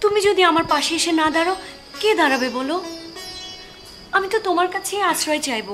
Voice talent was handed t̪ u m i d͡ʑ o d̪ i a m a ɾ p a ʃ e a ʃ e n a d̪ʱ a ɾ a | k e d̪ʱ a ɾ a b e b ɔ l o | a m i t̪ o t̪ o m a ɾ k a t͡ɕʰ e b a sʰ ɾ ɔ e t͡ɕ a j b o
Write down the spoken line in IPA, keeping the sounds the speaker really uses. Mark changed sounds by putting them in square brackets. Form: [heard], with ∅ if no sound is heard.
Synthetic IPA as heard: t̪ u m i d͡ʑ o d̪ i a m a ɾ p a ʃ e [e] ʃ e n a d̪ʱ a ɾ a | k e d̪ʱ a ɾ a b e b ɔ l o | a m i t̪ o t̪ o m a ɾ k a t͡ɕʰ e [∅] a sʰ ɾ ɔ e t͡ɕ a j b o